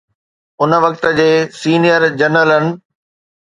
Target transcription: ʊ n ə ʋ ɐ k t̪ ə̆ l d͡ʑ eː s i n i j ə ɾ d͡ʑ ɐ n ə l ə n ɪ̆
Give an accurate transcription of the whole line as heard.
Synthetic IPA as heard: ʊ n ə ʋ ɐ k t̪ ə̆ d͡ʑ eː s iː n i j ə ɾ d͡ʑ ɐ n ə l ə n ɪ̆